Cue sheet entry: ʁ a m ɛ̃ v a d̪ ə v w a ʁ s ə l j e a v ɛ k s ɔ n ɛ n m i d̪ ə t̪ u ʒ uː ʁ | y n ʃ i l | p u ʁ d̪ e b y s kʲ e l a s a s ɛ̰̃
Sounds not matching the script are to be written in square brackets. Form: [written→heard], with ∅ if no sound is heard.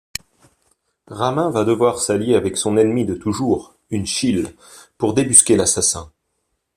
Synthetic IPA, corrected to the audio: ʁ a m ɛ̃ v a d̪ ə v w a ʁ s [ə→a] l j e a v ɛ k s [ɔ→ɔ̃] n ɛ n m i d̪ ə t̪ u ʒ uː ʁ | y n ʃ i l | p u ʁ d̪ e b y s kʲ e l a s a s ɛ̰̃